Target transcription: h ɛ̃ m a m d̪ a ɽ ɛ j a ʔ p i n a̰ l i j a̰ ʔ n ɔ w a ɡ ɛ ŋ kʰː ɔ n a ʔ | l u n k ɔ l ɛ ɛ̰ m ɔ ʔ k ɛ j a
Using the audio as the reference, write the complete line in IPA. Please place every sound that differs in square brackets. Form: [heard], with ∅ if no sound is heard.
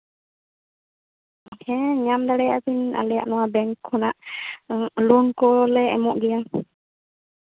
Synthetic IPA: h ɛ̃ [ɲ] a m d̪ a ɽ ɛ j a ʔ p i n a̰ l [ɛ] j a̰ ʔ n ɔ w a [b] ɛ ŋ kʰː ɔ n a ʔ | l u n k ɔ l ɛ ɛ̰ m ɔ ʔ [ɡ] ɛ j a

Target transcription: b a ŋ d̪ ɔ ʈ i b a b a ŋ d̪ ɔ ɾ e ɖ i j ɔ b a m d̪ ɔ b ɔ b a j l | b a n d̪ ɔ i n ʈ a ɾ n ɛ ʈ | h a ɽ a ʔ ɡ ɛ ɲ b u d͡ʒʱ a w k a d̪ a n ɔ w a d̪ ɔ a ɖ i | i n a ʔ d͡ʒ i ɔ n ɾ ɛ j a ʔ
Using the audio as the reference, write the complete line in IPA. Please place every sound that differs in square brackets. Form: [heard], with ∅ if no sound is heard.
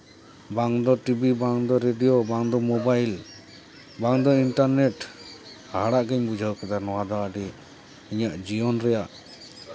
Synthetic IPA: b a ŋ d̪ ɔ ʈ i b [i] b a ŋ d̪ ɔ ɾ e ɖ i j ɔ b a [ŋ] d̪ ɔ [m] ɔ b a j l | b a [ŋ] d̪ ɔ i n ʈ a ɾ n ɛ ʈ | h a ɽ a ʔ ɡ ɛ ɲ b u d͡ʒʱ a w k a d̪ a n ɔ w a d̪ ɔ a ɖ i | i [ɲ] a ʔ d͡ʒ i ɔ n ɾ ɛ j a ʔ

